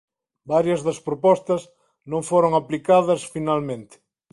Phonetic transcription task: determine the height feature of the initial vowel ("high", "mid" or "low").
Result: low